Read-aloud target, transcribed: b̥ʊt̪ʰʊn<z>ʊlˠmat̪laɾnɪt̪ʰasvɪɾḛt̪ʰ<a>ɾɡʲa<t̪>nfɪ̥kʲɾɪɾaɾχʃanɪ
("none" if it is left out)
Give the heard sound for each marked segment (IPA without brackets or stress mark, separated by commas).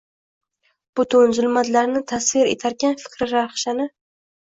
z, a, none